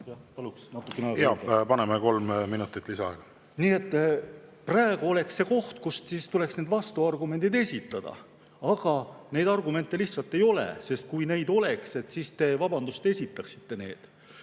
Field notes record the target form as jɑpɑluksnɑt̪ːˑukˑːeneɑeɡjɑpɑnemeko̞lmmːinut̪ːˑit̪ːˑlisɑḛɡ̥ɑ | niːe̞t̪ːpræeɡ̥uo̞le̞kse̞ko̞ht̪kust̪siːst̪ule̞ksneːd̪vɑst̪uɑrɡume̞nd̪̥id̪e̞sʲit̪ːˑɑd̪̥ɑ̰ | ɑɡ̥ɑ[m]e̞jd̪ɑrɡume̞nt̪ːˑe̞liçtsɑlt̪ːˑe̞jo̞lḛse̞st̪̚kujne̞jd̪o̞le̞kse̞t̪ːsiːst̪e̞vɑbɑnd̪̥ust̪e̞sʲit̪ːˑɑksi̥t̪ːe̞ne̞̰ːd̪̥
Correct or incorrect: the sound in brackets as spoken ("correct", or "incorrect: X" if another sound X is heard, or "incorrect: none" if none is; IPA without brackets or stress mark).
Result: incorrect: n